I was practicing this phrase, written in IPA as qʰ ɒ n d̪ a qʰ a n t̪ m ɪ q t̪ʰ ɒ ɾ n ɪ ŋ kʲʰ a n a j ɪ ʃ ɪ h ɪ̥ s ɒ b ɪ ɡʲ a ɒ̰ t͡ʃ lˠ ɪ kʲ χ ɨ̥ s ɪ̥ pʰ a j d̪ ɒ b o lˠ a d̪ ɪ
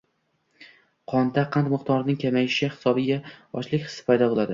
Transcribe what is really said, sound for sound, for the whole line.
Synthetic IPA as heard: qʰ ɒ n d̪ a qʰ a n t̪ m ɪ q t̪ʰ ɒ ɾ n ɪ ŋ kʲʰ a m a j ɪ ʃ ɪ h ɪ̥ s ɒ b ɪ ɡʲ a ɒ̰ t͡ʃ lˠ ɪ kʲ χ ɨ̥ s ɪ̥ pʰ a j d̪ ɒ b o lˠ a d̪ ɪ